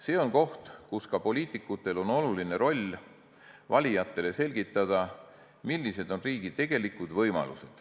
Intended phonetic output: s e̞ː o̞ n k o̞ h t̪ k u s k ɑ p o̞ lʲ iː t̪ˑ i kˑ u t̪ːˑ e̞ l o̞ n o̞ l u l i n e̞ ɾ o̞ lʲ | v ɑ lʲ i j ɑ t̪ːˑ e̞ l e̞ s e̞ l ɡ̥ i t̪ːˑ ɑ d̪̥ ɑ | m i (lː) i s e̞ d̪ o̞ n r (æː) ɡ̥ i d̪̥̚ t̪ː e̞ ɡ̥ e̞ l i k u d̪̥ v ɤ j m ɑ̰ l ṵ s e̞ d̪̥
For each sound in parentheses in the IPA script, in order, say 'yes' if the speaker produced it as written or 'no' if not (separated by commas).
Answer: yes, no